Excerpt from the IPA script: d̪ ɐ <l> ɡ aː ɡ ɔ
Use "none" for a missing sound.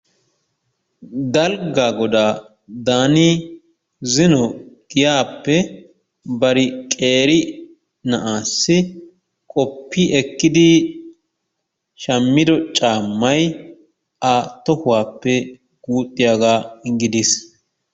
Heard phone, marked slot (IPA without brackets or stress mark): l